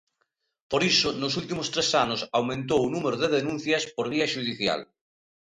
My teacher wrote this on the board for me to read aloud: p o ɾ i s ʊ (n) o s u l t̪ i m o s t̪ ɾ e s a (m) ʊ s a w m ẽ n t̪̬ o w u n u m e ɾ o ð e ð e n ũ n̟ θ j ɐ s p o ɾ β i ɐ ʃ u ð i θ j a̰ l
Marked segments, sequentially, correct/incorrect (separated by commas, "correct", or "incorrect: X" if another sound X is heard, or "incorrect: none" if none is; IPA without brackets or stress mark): correct, incorrect: n